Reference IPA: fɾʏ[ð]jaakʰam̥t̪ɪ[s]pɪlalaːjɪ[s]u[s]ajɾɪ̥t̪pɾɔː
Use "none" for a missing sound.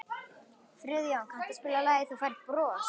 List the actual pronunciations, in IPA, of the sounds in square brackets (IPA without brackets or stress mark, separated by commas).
ð, s, θ, f